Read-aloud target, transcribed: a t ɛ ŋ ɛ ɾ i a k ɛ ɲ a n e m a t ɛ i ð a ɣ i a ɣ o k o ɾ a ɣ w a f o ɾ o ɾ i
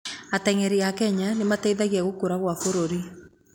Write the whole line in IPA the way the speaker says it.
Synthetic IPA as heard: a t ɛ ŋ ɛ ɾ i a k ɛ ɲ a n e m a t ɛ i ð a ɣ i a ɣ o k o ɾ a ɣ w a f o ɾ o ɾ i